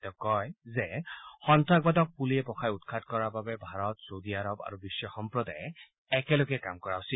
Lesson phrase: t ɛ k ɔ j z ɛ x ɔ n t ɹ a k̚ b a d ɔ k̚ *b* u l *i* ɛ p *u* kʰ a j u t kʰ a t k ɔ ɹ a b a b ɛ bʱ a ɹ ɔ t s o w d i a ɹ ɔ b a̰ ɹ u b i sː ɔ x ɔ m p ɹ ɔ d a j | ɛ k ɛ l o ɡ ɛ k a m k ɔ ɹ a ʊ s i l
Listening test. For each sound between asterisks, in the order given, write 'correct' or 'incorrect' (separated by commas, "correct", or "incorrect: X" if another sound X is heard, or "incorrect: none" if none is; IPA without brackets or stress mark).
incorrect: p, correct, incorrect: ɔ